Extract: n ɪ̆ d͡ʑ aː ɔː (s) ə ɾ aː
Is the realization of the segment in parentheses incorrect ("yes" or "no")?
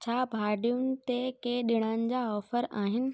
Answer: yes